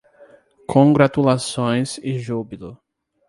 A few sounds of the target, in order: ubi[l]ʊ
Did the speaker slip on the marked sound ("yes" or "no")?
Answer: no